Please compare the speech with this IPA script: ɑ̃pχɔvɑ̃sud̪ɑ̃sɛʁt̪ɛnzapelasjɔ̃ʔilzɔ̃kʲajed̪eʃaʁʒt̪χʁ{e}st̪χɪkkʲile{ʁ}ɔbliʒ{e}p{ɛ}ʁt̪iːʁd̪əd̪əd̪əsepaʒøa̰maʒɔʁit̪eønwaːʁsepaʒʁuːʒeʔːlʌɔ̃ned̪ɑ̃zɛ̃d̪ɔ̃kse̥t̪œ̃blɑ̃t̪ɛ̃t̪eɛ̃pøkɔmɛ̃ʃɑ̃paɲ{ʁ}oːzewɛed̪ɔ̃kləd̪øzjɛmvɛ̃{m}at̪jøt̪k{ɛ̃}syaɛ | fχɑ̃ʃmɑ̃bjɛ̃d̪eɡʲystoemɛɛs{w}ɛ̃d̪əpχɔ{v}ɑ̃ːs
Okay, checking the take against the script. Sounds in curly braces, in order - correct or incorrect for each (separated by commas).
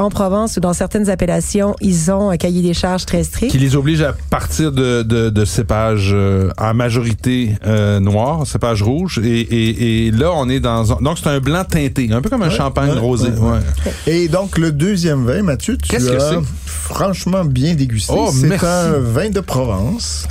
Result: incorrect, incorrect, incorrect, incorrect, correct, correct, incorrect, incorrect, correct